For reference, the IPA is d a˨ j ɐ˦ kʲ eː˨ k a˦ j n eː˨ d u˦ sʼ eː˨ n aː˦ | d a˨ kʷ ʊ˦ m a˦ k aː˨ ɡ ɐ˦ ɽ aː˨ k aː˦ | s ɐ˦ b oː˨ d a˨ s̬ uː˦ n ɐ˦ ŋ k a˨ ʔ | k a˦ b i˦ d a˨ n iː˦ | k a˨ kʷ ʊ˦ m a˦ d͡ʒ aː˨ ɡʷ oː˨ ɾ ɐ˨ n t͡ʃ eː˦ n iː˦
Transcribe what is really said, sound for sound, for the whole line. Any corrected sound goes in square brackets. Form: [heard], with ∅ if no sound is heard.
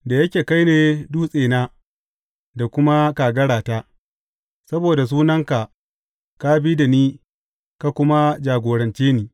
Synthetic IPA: d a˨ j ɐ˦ kʲ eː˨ k a˦ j n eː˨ d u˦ sʼ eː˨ n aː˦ | d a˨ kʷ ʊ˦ m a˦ k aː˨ ɡ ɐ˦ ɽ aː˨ [t] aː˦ | s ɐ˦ b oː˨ d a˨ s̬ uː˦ n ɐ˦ ŋ k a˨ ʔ | k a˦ b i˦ d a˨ n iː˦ | k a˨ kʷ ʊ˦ m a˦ d͡ʒ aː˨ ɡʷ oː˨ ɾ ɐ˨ n t͡ʃ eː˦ n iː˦